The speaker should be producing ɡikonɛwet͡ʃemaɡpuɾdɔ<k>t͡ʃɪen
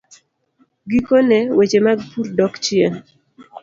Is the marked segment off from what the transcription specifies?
no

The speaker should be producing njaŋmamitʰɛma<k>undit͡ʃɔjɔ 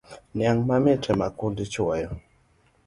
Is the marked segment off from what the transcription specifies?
no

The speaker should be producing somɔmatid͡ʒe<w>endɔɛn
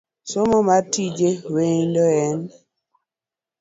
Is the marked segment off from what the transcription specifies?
no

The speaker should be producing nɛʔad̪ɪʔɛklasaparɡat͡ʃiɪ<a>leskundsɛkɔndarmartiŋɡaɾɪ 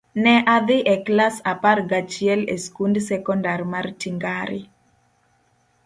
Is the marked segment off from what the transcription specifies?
yes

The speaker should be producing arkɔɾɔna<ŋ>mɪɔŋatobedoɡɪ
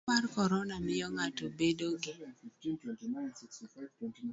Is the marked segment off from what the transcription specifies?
yes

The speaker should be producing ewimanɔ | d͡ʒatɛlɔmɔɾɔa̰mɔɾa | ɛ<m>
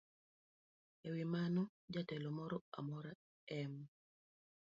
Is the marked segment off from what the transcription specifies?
no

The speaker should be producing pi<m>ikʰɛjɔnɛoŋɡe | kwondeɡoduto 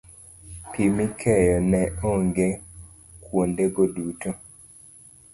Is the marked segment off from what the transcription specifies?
no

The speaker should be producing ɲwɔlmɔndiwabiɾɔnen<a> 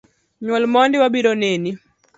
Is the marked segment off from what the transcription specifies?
yes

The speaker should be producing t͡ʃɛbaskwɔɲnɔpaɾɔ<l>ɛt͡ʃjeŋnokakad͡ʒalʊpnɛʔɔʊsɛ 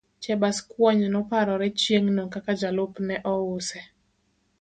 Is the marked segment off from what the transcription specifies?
yes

